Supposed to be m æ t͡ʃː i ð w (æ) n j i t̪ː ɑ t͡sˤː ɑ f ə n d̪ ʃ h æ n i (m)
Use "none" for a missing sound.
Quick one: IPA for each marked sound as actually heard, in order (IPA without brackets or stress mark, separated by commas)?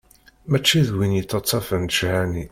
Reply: i, none